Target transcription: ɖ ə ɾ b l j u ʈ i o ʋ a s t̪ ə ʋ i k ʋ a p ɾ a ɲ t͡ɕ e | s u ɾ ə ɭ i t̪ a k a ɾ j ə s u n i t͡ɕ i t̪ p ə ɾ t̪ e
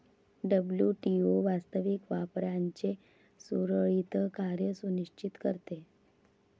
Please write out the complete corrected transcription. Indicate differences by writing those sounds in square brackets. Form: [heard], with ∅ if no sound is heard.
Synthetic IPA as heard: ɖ ə [∅] b l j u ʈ i o ʋ a s t̪ ə ʋ i k ʋ a p ɾ a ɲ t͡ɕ e | s u ɾ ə ɭ i t̪ [ə] k a ɾ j ə s u n i t͡ɕ i t̪ [k] ə ɾ t̪ e

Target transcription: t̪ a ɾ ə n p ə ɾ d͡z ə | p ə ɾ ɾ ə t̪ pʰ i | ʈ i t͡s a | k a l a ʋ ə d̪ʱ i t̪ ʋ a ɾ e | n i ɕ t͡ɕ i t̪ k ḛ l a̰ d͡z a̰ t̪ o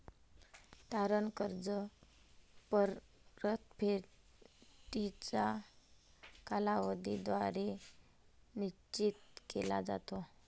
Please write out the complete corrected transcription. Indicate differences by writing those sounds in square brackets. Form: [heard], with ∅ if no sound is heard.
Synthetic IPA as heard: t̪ a ɾ ə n [k] ə ɾ d͡z ə | p ə ɾ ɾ ə t̪ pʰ [e] | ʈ i t͡s a | k a l a ʋ ə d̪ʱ i [d̪] ʋ a ɾ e | n i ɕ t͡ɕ i t̪ k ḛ l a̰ d͡z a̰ t̪ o

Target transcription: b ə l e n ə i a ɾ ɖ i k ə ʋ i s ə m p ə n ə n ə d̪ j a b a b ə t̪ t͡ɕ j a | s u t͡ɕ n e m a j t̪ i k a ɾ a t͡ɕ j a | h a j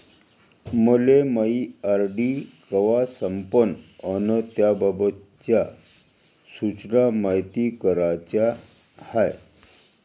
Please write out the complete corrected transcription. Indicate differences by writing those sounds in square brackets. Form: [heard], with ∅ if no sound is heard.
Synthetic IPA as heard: [m] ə l e [m] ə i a ɾ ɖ i k ə ʋ [a] s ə m p ə n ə n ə [t̪] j a b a b ə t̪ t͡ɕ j a | s u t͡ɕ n [a] m a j t̪ i k [ə] ɾ a t͡ɕ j a | h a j

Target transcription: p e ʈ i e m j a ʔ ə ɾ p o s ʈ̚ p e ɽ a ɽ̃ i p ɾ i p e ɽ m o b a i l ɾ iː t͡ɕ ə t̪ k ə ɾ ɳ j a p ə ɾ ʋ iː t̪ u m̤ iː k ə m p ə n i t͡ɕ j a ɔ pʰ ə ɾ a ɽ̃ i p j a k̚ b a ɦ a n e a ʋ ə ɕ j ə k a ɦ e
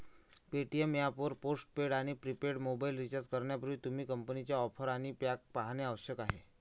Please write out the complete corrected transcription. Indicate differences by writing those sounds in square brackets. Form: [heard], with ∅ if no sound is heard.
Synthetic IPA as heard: p e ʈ i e m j a [p] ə ɾ p o s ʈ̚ p e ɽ a ɽ̃ i p ɾ i p e ɽ m o b a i l ɾ [i] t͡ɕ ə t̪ k ə ɾ ɳ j a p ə ɾ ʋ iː t̪ u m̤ iː k ə m p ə n i t͡ɕ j a ɔ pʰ ə ɾ a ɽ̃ i p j a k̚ [p] a ɦ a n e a ʋ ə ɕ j ə k a ɦ e

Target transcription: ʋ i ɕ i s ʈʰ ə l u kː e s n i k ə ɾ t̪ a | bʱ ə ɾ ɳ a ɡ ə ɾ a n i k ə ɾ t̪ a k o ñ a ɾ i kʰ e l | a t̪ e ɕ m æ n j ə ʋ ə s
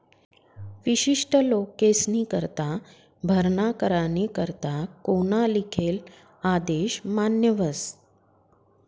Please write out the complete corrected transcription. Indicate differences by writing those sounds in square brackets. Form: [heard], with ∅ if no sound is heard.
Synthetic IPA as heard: ʋ i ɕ i [ʂ] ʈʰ ə l [o] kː e s n i k ə ɾ t̪ a | bʱ ə ɾ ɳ a [k] ə ɾ a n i k ə ɾ t̪ a k o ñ a [l] i kʰ e l | a [d̪] e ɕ m [a] n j ə ʋ ə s

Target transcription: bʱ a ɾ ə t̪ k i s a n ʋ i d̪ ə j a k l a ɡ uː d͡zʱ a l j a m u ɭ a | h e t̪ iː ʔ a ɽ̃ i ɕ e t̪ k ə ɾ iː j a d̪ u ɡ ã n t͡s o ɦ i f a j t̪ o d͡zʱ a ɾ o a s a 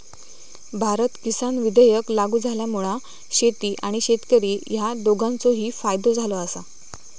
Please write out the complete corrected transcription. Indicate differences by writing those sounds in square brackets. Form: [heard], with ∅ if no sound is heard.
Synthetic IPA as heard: bʱ a ɾ ə t̪ k i s a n ʋ i d̪ ə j [ə] k l a ɡ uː d͡zʱ a l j a m u ɭ a | [ɕ] e t̪ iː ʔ a ɽ̃ i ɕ e t̪ k ə ɾ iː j a d̪ [o] ɡ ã n t͡s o ɦ [iː] f a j [d̪] o d͡zʱ a [l] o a s a

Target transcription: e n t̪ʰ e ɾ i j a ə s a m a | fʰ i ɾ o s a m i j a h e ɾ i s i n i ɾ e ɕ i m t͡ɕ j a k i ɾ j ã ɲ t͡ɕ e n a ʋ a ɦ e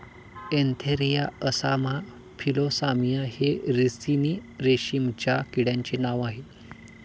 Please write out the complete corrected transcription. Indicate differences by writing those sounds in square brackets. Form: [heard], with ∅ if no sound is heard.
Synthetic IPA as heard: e n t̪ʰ e ɾ i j a ə s a m a | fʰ i [l] o s a m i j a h e ɾ i s i n i ɾ e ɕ i m t͡ɕ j a k i [ɽ] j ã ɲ t͡ɕ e n a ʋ a ɦ e

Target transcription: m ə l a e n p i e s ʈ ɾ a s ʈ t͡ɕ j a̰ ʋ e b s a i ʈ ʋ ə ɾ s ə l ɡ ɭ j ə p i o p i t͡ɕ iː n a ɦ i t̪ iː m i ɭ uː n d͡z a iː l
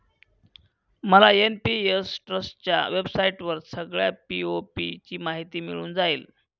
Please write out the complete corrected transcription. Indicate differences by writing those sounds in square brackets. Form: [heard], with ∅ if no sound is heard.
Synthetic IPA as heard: m ə l a e n p i e s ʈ ɾ [ə] s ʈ t͡ɕ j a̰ ʋ e b s a i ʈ ʋ ə ɾ s ə [∅] ɡ ɭ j [a] p i o p i t͡ɕ iː [m] a ɦ i t̪ iː m i ɭ uː n d͡z a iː l

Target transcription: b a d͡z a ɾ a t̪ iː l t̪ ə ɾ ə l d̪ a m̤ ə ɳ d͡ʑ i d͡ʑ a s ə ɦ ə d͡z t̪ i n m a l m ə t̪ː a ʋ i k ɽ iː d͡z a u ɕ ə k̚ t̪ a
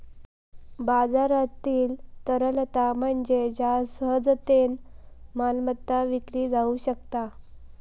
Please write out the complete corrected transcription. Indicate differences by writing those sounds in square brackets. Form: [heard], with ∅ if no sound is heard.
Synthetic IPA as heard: b a d͡z a ɾ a t̪ iː l t̪ ə ɾ ə l [t̪] a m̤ ə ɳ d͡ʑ [e] d͡ʑ a s ə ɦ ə d͡z t̪ [e] n m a l m ə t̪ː a ʋ i k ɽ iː d͡z a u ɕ ə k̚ t̪ a

